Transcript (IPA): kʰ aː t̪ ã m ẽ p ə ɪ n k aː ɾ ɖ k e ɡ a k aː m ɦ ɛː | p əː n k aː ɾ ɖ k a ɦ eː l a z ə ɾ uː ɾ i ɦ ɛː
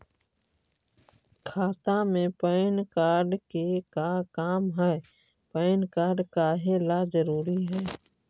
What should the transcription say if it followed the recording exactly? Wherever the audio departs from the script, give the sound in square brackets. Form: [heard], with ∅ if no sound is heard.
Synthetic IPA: kʰ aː t̪ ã m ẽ p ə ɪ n k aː ɾ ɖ k e [k] a k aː m ɦ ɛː | p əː n k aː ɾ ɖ k a ɦ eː l a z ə ɾ uː ɾ i ɦ ɛː